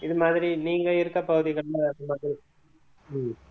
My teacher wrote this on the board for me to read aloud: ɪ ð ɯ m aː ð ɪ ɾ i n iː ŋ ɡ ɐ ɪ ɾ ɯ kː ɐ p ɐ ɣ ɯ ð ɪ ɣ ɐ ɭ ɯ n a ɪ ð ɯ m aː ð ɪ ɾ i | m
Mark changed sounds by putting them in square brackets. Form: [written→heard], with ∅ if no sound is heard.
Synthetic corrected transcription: ɪ ð ɯ m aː ð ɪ ɾ i n iː ŋ ɡ ɐ ɪ ɾ ɯ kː ɐ p ɐ ɣ ɯ ð ɪ ɣ ɐ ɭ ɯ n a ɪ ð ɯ m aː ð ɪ ɾ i | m